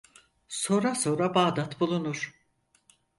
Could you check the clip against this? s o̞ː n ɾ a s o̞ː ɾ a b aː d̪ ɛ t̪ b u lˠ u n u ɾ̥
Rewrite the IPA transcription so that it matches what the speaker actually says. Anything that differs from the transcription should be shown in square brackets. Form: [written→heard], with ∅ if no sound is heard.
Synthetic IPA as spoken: s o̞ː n ɾ a s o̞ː ɾ a b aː d̪ [ɛ→a] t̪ b u lˠ u n u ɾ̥

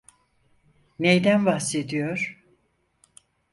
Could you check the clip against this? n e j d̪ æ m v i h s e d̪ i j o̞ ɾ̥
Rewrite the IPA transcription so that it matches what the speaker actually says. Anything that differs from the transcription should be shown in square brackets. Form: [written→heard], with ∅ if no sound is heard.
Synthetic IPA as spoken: n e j d̪ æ [m→n] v [i→a] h s e d̪ i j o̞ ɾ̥

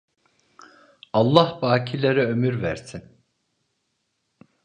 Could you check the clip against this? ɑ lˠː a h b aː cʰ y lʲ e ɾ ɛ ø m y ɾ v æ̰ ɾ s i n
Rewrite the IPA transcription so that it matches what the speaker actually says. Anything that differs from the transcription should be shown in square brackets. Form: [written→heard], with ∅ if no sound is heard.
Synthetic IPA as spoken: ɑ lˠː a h b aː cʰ [y→i] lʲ e ɾ ɛ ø m y ɾ v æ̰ ɾ s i n

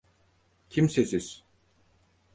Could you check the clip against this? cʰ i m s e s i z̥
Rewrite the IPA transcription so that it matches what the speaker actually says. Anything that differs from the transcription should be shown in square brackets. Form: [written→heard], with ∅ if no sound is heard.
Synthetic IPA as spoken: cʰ i m s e s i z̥

